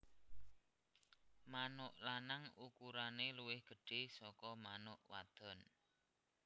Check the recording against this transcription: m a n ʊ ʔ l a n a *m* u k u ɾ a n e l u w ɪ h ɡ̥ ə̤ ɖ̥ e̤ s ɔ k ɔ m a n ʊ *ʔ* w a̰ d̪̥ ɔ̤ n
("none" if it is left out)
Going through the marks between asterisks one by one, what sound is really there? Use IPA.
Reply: ŋ, ʔ

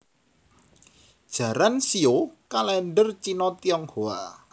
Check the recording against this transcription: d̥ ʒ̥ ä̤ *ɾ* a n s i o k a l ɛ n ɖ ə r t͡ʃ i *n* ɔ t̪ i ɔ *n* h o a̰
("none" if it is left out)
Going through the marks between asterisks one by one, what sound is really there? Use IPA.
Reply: ɾ, n, ŋ

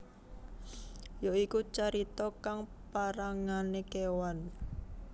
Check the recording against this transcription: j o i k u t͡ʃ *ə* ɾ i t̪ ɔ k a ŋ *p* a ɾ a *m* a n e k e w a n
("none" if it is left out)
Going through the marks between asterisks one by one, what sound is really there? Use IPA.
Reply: a, p, ŋ

